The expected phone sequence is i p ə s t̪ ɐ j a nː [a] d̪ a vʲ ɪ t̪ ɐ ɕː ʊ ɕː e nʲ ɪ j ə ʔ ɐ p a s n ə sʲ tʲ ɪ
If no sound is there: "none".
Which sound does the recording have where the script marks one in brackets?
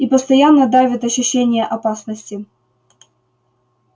ə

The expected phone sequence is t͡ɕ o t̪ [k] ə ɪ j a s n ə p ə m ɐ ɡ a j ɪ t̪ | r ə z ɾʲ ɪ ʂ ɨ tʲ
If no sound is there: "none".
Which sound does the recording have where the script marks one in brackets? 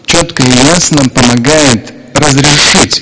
k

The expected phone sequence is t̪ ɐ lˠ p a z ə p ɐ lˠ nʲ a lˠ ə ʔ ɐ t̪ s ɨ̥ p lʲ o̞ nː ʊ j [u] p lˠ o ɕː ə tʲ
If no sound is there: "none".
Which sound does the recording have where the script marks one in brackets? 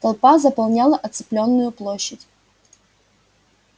ʊ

